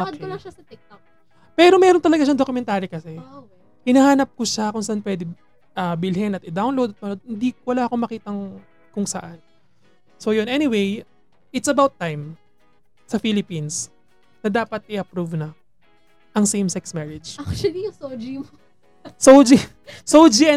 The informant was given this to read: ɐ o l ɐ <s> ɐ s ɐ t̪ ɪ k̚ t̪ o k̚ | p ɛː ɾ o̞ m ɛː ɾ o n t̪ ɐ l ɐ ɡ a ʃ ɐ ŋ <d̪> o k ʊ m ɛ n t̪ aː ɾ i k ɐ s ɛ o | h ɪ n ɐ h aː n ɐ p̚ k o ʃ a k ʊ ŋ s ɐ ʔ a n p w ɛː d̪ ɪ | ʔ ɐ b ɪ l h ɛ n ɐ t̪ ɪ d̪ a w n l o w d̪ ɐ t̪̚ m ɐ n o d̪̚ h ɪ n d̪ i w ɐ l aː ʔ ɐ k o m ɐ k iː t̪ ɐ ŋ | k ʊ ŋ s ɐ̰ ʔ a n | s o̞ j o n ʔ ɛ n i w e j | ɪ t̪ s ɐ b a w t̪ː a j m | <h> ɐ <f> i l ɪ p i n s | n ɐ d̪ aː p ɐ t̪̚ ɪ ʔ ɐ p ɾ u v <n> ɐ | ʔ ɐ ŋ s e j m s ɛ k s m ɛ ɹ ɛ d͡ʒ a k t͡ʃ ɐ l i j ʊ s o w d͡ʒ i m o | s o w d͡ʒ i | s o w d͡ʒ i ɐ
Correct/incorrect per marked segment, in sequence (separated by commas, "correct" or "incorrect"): incorrect, correct, incorrect, correct, correct